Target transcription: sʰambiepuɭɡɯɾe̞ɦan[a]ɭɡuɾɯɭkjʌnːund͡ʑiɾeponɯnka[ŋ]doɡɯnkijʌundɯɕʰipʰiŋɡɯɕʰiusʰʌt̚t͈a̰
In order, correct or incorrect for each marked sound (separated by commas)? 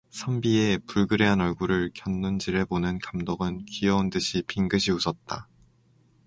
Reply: incorrect, incorrect